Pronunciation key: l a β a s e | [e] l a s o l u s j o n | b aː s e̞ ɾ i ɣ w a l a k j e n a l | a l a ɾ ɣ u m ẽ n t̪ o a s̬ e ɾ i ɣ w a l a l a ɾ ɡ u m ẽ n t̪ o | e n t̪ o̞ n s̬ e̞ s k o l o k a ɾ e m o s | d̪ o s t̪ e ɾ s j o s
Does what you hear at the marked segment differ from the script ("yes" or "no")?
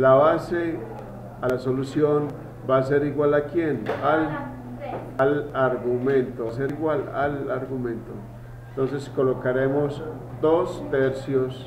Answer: yes